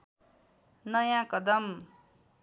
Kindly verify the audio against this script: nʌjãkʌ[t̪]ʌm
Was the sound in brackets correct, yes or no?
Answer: no